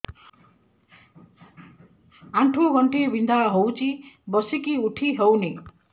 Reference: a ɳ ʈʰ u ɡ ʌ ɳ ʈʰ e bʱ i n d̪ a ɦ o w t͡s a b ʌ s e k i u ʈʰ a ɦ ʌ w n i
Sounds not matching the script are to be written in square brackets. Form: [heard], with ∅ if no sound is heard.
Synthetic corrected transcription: a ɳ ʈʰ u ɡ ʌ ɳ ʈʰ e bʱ i n d̪ a ɦ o w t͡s [i] b ʌ s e k i u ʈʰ [i] ɦ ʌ w n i